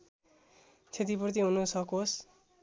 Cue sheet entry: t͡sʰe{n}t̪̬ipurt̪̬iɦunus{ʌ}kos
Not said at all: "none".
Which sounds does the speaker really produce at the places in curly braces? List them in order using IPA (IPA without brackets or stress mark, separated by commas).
none, ʌ